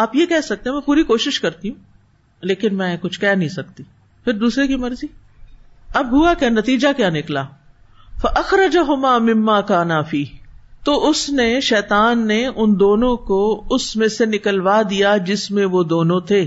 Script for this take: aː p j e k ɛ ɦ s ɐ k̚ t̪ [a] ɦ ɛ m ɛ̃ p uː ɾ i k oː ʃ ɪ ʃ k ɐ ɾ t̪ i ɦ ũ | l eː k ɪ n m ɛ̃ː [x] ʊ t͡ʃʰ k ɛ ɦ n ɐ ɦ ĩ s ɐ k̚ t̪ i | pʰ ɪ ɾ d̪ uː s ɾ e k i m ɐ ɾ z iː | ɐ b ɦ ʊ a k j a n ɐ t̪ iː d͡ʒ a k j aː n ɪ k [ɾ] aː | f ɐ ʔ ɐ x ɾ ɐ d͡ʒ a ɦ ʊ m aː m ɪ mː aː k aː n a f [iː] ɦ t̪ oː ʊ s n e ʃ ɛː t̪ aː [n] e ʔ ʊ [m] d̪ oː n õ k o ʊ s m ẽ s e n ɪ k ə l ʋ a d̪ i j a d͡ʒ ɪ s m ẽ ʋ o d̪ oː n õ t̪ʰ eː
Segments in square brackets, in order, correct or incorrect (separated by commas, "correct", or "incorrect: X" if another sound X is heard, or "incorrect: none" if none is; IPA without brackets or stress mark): incorrect: e, incorrect: k, incorrect: l, correct, incorrect: nː, incorrect: n